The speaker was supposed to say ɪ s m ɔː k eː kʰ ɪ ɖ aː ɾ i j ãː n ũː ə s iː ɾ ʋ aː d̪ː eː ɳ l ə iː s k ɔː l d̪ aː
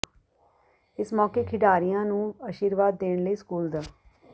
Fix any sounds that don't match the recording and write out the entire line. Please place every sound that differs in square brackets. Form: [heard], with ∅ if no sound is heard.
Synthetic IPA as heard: ɪ s m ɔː k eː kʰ ɪ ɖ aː ɾ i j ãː n ũː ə [ʃ] iː ɾ ʋ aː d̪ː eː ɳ l ə iː s k [uː] l d̪ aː